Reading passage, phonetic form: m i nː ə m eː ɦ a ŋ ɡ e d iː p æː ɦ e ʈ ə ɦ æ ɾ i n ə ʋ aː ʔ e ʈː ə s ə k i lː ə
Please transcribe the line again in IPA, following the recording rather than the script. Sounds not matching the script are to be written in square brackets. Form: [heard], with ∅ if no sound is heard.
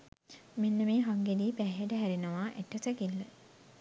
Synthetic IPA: m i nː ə m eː ɦ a ŋ ɡ e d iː p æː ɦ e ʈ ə ɦ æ ɾ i n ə ʋ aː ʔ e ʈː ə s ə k i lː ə

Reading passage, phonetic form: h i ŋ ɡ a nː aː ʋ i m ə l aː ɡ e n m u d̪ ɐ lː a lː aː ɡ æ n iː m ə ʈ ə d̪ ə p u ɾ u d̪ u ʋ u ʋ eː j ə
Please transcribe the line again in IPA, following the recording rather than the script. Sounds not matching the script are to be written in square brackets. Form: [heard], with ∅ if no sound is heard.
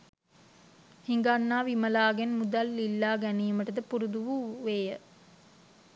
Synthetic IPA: h i ŋ ɡ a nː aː ʋ i m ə l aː ɡ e n m u d̪ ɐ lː [i] lː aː ɡ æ n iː m ə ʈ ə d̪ ə p u ɾ u d̪ u ʋ u ʋ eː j ə

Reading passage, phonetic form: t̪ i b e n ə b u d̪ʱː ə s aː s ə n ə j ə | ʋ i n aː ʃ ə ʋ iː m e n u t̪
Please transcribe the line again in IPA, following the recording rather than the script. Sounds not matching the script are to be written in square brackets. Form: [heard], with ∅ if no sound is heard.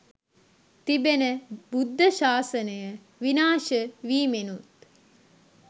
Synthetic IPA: t̪ i b e n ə b u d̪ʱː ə [ʃ] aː s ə n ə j ə | ʋ i n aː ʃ ə ʋ iː m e n u t̪

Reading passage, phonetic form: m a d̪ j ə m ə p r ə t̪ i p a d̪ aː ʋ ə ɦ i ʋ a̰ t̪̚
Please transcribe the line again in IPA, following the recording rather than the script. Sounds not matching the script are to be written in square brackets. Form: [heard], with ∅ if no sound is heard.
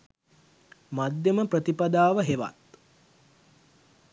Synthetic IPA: m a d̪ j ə m ə p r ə t̪ i p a d̪ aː ʋ ə ɦ [e] ʋ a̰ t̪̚

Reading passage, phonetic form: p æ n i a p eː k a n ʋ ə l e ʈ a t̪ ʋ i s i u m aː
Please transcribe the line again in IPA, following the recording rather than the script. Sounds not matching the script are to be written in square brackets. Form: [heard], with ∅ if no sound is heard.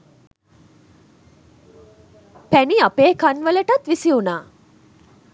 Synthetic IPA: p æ n i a p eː k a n ʋ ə l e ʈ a t̪ ʋ i s i u [n] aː

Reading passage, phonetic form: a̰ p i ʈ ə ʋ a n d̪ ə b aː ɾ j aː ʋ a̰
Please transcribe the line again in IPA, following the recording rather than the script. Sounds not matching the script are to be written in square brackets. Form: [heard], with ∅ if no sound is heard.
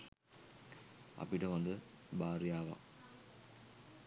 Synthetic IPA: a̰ p i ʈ ə ʋ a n d̪ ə b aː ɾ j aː ʋ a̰

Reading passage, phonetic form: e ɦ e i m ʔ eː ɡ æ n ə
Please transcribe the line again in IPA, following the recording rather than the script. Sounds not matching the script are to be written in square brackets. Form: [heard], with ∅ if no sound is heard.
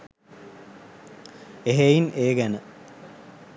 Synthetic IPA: e ɦ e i [n] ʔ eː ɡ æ n ə

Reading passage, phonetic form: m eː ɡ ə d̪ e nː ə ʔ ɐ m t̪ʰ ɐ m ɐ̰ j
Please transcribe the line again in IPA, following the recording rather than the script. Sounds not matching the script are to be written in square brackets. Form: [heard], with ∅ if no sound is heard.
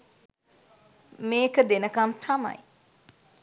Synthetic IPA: m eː [k] ə d̪ e [n] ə [k] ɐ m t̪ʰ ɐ m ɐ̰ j

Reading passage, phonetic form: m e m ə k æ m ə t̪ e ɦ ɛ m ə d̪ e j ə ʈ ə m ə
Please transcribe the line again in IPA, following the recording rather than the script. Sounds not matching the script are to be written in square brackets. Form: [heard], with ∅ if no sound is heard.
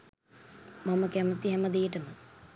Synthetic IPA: m [a] m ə k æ m ə t̪ [i] ɦ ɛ m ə d̪ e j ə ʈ ə m ə

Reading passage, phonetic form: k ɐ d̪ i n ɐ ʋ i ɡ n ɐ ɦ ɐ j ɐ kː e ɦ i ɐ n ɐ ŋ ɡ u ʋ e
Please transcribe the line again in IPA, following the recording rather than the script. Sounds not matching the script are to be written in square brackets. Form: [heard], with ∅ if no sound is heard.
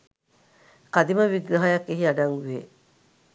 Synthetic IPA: k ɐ d̪ i [m] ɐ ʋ i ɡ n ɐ ɦ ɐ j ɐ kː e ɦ i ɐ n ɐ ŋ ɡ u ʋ e

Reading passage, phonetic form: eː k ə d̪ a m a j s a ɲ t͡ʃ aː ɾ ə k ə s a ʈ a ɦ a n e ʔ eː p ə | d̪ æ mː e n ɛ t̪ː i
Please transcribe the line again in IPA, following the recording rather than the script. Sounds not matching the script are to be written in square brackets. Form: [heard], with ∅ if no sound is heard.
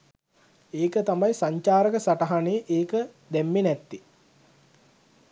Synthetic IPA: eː k ə [t̪] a m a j s a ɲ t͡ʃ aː ɾ ə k ə s a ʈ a ɦ a n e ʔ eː [k] ə | d̪ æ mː e n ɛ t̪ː i

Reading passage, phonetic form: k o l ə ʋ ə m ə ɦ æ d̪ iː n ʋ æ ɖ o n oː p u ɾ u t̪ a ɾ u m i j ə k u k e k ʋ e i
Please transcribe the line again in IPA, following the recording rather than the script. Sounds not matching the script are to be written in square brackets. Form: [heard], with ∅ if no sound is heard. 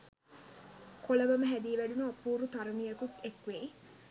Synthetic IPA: k o l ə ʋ ə m ə ɦ æ d̪ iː [∅] ʋ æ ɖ [u] n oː p [uː] ɾ u t̪ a ɾ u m i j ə k u k e k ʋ e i

